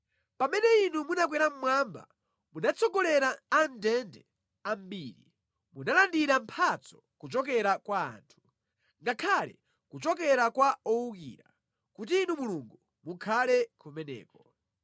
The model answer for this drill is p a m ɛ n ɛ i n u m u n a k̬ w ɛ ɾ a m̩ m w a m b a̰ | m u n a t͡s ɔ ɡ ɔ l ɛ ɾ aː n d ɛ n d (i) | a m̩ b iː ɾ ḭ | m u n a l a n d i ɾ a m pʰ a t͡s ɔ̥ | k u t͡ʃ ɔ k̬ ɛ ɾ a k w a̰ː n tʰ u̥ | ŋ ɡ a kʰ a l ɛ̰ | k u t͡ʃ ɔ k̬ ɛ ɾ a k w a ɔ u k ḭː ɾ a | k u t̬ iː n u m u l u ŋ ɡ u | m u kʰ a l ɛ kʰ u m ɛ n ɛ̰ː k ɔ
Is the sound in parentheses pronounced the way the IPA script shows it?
no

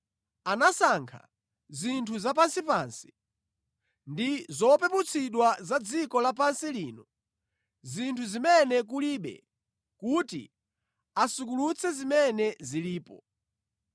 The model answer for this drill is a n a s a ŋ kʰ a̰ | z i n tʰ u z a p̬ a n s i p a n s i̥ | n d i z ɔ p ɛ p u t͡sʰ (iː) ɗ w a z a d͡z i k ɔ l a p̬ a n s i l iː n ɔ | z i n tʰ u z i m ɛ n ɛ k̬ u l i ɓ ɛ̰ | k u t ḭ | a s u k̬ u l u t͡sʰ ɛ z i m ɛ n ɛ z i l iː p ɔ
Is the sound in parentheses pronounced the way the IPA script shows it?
no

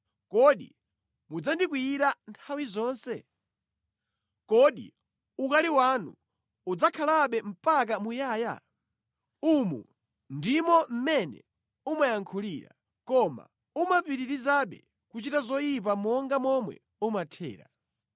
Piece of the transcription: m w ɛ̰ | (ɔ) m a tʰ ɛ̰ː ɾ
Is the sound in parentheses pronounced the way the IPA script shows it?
no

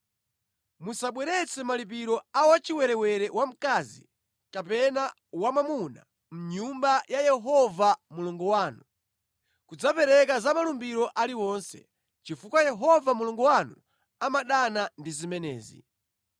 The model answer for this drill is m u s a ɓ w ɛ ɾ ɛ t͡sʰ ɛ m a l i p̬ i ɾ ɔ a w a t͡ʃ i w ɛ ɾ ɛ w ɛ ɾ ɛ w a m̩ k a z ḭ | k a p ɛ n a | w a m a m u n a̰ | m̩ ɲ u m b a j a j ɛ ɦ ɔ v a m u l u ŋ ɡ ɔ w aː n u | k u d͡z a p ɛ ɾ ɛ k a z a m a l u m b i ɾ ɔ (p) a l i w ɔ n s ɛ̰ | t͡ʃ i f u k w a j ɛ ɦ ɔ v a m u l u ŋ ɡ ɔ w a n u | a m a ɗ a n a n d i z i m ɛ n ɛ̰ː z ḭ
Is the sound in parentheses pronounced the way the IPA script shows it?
no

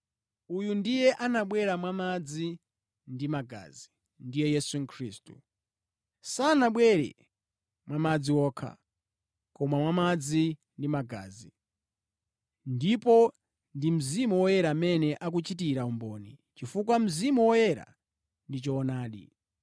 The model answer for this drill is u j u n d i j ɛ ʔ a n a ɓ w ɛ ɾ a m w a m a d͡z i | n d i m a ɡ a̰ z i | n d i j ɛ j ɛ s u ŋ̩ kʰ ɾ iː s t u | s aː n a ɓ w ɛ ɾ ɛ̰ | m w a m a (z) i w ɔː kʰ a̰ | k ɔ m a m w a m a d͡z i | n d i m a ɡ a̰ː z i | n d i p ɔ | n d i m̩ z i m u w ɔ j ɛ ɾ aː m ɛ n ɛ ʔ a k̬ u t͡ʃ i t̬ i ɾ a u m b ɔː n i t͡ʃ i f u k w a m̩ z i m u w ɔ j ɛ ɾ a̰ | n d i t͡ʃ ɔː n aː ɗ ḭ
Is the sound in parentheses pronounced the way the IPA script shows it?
no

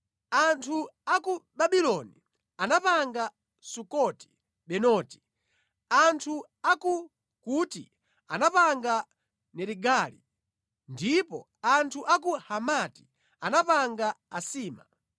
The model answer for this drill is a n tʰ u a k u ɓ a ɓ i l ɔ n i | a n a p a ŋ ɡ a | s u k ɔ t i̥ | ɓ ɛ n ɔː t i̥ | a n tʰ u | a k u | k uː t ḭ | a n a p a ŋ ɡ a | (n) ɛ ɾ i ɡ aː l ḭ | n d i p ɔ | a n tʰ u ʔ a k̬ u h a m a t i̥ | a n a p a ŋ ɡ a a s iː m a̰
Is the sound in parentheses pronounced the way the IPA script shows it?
yes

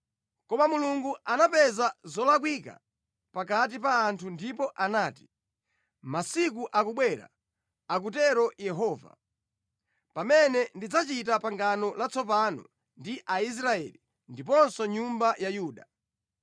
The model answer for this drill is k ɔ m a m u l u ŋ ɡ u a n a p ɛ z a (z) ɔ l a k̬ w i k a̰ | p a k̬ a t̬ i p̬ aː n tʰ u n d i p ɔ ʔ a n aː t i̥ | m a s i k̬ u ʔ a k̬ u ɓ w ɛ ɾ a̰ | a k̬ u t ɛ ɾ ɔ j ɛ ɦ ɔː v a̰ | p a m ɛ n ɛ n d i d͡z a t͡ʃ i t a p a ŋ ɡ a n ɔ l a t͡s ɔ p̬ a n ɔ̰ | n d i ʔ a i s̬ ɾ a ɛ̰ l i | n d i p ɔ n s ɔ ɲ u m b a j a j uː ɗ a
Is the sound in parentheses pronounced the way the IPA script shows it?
yes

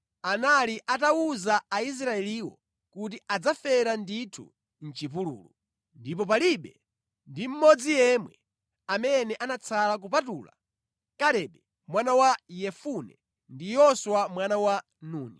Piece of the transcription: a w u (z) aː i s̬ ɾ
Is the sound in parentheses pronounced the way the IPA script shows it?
yes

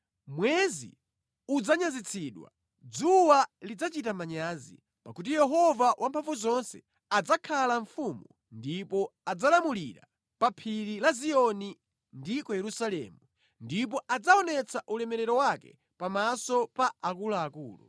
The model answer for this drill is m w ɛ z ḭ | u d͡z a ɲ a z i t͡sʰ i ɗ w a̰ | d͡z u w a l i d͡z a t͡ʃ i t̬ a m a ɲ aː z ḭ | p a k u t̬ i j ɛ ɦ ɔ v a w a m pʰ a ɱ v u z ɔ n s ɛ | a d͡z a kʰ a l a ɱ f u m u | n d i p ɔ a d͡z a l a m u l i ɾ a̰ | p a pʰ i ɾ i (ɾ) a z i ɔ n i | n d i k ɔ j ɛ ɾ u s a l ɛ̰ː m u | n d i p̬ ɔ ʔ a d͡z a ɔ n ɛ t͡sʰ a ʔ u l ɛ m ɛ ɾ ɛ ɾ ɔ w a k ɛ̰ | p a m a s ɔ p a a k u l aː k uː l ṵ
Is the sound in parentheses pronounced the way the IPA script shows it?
no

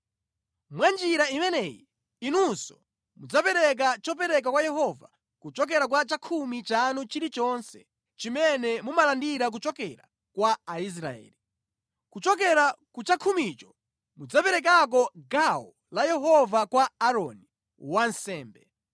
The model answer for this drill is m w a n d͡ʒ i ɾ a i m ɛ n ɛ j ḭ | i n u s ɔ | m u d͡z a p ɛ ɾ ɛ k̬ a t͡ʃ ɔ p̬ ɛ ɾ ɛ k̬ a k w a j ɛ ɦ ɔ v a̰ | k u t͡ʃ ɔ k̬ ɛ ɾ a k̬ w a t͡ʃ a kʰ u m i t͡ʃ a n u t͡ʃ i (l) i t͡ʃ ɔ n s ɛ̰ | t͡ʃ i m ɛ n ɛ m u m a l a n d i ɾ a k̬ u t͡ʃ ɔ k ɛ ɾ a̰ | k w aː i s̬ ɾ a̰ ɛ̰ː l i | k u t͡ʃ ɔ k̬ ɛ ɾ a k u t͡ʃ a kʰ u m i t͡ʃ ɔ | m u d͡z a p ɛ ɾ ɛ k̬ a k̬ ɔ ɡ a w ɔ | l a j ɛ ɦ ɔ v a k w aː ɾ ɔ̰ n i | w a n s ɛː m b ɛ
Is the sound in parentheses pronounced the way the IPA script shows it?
no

